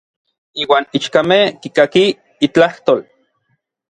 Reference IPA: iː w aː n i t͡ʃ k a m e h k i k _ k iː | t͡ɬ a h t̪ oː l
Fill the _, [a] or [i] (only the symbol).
a